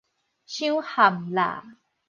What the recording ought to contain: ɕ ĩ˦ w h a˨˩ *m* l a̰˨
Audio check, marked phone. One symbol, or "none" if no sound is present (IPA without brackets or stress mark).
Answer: m